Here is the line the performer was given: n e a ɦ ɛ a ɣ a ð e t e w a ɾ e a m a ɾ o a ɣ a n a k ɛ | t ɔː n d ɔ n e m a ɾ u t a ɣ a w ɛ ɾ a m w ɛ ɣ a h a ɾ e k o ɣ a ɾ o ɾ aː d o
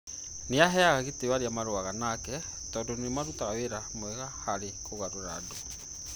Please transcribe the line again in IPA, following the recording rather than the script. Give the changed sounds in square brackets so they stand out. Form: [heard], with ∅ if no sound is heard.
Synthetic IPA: n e a ɦ ɛ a ɣ a [ɣ] e t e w a ɾ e a m a ɾ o a ɣ a n a k ɛ | t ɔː n d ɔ n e m a ɾ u t a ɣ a w [e] ɾ a m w ɛ ɣ a h a ɾ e k o ɣ a ɾ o ɾ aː d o